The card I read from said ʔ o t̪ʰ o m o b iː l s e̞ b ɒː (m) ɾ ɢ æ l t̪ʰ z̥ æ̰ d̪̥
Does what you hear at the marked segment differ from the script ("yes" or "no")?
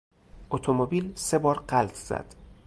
yes